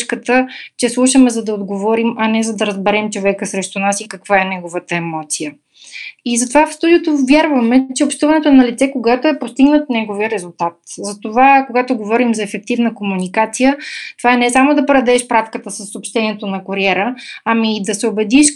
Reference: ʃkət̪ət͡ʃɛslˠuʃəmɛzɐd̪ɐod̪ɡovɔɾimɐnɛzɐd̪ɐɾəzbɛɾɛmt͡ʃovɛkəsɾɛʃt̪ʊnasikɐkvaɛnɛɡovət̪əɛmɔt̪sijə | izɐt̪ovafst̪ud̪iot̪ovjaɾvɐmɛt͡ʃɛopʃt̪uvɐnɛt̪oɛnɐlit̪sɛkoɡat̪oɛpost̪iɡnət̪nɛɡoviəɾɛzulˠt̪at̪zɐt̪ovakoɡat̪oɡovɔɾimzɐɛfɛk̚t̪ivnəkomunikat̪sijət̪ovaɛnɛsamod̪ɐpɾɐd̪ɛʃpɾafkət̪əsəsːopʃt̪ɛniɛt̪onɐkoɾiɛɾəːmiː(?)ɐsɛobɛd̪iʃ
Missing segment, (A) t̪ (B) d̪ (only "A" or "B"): B